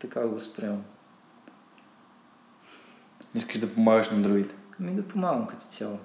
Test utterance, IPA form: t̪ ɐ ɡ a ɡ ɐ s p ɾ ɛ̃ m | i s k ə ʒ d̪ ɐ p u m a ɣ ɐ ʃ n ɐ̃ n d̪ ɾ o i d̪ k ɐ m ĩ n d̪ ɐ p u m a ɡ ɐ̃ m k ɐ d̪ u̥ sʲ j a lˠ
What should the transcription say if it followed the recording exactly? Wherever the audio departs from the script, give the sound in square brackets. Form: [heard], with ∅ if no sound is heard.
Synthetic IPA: t̪ ɐ [k] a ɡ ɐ s p ɾ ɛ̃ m | i s k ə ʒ d̪ ɐ p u m a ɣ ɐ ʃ n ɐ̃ n d̪ ɾ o i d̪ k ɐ m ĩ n d̪ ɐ p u m a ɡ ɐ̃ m k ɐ [t̪] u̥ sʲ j a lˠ